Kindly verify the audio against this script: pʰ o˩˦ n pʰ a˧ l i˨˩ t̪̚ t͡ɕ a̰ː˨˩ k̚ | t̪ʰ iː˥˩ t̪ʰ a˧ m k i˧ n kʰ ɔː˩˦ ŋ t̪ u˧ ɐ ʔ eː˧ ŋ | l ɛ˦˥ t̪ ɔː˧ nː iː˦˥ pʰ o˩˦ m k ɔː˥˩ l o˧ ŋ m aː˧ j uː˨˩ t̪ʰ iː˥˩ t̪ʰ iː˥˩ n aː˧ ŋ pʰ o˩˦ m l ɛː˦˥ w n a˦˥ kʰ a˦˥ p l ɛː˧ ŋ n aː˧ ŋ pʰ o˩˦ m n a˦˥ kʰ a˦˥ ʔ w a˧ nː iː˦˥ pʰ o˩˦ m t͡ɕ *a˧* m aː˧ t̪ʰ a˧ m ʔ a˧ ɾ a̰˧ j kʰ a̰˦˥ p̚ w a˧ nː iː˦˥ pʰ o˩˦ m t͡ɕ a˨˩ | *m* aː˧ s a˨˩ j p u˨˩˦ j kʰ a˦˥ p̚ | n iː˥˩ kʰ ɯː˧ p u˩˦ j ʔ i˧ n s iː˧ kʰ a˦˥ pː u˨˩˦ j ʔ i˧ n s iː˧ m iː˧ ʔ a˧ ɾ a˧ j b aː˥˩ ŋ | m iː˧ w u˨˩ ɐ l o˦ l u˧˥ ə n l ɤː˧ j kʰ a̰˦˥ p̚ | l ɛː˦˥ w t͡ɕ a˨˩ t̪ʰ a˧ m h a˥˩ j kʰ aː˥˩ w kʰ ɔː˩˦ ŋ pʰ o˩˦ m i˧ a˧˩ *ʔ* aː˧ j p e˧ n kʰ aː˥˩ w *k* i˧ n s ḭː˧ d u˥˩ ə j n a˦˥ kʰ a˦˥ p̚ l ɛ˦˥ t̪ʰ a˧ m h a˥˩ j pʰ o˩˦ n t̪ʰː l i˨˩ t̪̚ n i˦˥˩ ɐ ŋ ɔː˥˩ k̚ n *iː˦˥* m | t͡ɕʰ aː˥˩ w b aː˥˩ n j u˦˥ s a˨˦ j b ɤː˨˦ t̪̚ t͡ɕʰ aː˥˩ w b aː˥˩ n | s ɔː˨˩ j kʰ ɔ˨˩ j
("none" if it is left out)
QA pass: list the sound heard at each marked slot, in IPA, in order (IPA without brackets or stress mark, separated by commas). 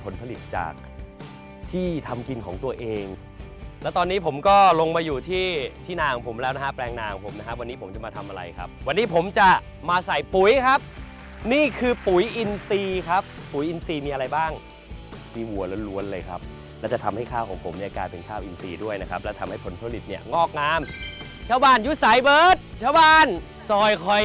a˨˩, m, k, ʔ, aː˦˥